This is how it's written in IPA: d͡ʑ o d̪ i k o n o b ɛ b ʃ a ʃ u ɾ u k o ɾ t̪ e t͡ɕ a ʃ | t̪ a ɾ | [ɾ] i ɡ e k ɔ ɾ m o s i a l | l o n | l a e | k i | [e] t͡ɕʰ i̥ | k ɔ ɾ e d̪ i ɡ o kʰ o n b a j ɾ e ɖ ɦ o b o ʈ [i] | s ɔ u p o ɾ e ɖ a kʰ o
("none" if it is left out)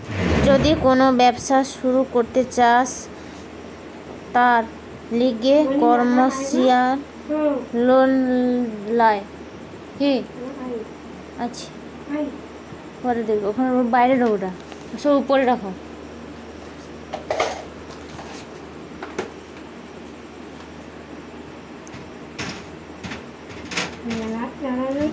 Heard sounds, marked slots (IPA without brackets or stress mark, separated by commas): l, a, a